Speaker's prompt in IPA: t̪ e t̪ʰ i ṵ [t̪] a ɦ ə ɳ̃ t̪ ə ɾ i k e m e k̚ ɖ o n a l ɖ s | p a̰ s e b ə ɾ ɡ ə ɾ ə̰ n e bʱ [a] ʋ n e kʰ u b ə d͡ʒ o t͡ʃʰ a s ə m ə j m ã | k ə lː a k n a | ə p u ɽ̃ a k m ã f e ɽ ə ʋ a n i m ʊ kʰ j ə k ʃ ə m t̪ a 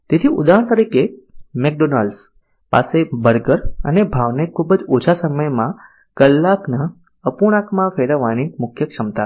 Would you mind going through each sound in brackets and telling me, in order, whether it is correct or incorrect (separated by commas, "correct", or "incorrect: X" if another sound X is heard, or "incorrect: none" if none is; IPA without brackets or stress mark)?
incorrect: d̪, correct